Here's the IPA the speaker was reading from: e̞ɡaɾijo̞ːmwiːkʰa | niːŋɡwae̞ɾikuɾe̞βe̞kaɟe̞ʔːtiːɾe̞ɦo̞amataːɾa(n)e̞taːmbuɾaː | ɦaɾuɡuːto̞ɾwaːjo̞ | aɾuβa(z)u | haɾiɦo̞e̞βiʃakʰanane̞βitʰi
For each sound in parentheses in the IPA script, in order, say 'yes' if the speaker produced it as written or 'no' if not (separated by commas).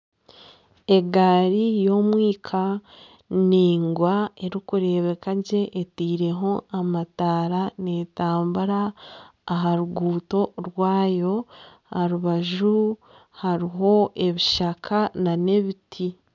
yes, no